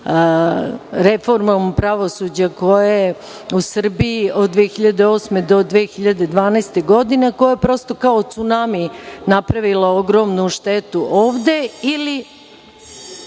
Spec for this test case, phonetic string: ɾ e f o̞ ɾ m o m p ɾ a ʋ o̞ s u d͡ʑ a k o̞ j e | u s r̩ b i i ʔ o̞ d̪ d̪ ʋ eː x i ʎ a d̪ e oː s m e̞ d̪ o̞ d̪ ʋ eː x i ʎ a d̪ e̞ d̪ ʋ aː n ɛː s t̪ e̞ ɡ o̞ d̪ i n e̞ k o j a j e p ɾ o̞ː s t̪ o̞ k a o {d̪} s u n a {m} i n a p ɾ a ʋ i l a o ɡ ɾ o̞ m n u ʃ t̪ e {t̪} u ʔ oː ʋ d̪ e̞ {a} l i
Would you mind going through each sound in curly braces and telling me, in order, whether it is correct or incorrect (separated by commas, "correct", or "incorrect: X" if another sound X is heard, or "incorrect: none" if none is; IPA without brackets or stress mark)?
incorrect: t̪, correct, correct, incorrect: i